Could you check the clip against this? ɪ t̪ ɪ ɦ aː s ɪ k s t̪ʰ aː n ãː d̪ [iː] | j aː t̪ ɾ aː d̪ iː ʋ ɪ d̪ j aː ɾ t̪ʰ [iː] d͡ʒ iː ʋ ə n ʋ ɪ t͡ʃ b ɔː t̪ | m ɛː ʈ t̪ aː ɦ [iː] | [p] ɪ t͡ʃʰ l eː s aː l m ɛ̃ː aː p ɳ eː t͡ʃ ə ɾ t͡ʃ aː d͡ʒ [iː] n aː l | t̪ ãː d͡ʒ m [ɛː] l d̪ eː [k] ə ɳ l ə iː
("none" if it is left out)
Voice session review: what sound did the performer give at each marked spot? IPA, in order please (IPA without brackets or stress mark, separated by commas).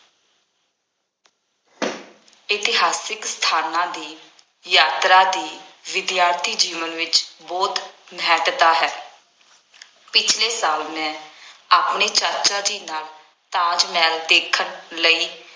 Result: iː, iː, ɛː, p, iː, ɛː, kʰ